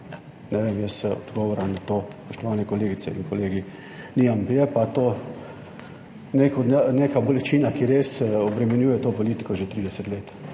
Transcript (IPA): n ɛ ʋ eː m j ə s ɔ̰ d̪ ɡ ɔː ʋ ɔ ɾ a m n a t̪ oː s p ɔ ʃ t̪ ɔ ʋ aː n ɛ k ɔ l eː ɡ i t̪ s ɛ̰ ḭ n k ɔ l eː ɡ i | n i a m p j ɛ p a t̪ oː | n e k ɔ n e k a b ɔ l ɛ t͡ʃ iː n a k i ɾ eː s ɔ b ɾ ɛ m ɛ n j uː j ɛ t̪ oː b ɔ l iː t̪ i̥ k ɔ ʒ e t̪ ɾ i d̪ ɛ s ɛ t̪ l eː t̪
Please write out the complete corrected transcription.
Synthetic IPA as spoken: n ɛ ʋ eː m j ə s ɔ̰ d̪ ɡ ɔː ʋ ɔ ɾ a m n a t̪ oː s p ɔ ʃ t̪ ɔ ʋ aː n ɛ k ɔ l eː ɡ i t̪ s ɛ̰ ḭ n k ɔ l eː ɡ i | n i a m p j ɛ p a t̪ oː | n e k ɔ n e k a b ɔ l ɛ t͡ʃ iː n a k i ɾ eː s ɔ b ɾ ɛ m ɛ n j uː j ɛ t̪ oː p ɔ l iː t̪ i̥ k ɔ ʒ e t̪ ɾ i d̪ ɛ s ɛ t̪ l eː t̪